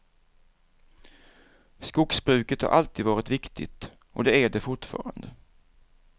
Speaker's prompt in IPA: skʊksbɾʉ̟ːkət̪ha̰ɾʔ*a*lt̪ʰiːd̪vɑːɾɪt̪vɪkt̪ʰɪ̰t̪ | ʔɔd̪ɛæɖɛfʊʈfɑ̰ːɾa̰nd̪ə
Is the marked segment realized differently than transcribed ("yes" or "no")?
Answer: no